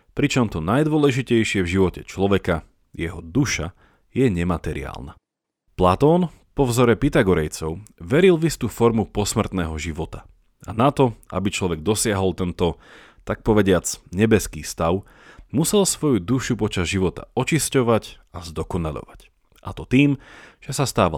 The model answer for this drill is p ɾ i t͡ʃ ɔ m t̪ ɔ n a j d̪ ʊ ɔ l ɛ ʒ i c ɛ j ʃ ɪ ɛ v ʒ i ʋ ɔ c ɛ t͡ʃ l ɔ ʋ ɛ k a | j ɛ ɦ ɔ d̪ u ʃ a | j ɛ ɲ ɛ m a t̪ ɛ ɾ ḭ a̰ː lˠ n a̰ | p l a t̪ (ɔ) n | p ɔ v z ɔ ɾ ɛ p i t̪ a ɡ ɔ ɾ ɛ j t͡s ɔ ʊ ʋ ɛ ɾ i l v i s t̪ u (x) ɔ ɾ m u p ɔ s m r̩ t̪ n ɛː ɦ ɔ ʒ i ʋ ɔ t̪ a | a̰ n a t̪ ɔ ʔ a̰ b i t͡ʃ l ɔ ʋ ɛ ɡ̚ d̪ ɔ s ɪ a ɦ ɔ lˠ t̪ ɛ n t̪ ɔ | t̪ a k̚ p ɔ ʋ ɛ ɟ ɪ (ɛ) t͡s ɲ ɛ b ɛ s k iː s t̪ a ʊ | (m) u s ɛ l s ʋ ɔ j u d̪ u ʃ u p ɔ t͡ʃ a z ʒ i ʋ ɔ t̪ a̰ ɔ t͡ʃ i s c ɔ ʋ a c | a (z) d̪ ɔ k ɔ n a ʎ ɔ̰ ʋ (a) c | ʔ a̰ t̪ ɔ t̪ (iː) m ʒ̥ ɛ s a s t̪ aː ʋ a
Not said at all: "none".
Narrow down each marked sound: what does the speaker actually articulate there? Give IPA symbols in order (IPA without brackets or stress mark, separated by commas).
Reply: ɔː, f, a, m, z, a, iː